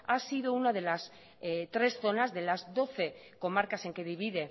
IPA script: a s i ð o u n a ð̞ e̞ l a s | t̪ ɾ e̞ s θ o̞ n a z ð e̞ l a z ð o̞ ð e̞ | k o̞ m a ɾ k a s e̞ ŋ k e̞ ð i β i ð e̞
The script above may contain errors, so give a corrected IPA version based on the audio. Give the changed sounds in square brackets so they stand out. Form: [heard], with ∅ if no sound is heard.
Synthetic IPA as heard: a s i ð o u n a ð̞ e̞ l a s | t̪ ɾ e̞ s θ o̞ n a z ð e̞ l a z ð o̞ [θ] e̞ | k o̞ m a ɾ k a s e̞ ŋ k e̞ ð i β i ð e̞